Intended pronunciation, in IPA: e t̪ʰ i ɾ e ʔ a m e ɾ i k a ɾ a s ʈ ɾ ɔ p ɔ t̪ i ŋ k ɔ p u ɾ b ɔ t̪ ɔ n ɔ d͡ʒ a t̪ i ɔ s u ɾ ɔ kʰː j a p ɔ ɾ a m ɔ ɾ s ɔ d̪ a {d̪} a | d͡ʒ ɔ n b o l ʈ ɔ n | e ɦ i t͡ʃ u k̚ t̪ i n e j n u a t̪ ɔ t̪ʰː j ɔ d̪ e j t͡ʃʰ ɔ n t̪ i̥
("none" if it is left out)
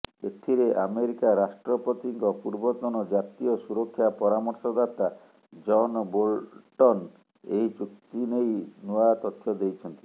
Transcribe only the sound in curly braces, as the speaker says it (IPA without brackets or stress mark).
t̪